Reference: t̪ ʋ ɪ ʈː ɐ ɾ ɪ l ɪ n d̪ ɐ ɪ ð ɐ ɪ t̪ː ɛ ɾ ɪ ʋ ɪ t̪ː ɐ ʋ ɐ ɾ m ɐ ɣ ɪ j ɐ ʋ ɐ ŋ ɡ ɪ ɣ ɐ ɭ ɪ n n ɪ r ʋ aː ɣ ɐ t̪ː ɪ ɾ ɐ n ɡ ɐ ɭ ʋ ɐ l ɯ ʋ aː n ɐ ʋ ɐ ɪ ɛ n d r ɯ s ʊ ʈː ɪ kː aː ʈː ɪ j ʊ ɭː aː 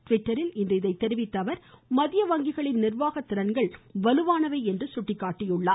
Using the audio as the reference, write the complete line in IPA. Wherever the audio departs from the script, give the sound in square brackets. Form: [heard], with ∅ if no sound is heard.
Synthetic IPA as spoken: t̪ ʋ ɪ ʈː ɐ ɾ ɪ l ɪ n d̪ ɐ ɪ ð ɐ ɪ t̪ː ɛ ɾ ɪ ʋ ɪ t̪ː ɐ ʋ ɐ ɾ m ɐ [ð] ɪ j ɐ ʋ ɐ ŋ ɡ ɪ ɣ ɐ ɭ ɪ n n ɪ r ʋ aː ɣ ɐ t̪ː ɪ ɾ ɐ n ɡ ɐ ɭ ʋ ɐ l ɯ ʋ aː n ɐ ʋ ɐ ɪ ɛ n d r ɯ s ʊ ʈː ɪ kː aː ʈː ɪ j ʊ ɭː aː